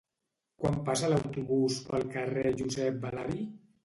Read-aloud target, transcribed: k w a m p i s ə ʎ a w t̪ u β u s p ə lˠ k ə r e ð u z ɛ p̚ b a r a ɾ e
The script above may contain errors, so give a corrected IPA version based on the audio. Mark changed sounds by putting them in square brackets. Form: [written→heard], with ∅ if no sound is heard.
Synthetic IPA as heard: k w a m p [i→a] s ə [ʎ→l] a w t̪ u β u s p ə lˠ k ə r e [ð→ʒ] u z ɛ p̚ b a [r→l] a ɾ [e→i]